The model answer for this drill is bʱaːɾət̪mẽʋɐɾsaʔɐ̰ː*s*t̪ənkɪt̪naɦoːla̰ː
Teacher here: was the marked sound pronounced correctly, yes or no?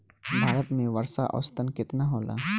yes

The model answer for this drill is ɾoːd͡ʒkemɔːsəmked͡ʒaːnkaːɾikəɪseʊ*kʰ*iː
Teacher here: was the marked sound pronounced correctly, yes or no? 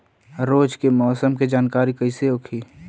yes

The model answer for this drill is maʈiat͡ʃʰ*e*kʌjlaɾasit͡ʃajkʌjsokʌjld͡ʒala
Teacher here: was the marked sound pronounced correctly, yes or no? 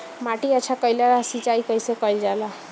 no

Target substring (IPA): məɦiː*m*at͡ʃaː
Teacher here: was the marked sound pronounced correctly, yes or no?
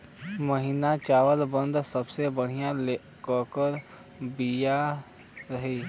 no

